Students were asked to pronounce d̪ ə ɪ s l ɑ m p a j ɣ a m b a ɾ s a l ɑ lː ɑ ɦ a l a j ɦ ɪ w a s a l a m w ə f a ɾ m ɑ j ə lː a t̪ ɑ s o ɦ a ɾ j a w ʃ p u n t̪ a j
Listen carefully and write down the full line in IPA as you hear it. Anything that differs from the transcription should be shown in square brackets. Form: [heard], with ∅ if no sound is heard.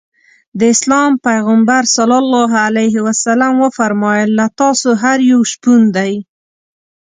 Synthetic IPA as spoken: d̪ ə ɪ s l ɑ m p a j ɣ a m b a ɾ s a l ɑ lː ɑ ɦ a l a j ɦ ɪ w a s a l a m w ə f a ɾ m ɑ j ə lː a t̪ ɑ s o ɦ a ɾ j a w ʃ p u n [d̪] a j